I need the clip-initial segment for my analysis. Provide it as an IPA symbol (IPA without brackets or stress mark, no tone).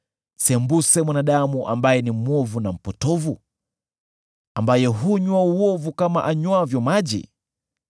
s